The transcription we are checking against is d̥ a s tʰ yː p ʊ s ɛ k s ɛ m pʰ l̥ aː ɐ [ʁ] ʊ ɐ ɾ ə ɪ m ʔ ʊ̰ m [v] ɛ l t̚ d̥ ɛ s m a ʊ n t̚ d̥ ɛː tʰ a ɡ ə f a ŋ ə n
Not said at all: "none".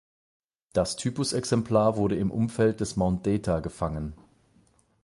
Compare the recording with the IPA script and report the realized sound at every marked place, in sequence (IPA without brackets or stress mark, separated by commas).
v, f